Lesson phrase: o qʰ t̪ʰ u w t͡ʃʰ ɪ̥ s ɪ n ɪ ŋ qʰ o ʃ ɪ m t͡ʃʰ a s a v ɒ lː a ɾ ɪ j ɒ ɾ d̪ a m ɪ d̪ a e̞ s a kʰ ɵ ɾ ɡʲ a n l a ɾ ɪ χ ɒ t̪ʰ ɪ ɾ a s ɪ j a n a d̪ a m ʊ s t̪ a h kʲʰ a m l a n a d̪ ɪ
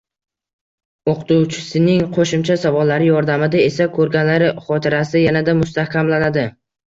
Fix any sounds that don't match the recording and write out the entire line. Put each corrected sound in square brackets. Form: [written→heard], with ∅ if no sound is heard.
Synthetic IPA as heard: o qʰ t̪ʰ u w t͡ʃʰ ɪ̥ s ɪ n ɪ ŋ qʰ o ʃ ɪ m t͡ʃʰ a s a v ɒ lː a ɾ ɪ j ɒ ɾ d̪ a m ɪ d̪ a e̞ s a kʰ ɵ ɾ ɡʲ a n l a ɾ ɪ χ ɒ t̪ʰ ɪ ɾ a s ɪ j a n a d̪ a m ʊ s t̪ a h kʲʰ a m l a n a d̪ ɪ